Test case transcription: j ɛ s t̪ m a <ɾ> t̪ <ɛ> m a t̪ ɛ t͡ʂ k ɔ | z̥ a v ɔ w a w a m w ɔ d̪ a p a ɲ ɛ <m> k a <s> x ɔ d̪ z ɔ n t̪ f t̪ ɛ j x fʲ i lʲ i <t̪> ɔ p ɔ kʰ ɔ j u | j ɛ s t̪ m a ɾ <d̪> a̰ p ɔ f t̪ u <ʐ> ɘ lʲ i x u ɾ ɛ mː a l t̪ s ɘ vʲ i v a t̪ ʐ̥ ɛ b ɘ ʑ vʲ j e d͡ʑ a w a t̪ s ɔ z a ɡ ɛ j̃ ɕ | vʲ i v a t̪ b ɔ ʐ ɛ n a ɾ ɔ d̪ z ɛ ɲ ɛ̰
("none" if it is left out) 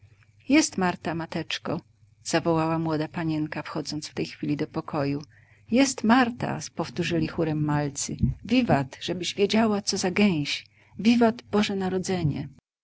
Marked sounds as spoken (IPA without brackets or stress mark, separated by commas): ɾ, a, ŋ, f, d̪, t̪, ʐ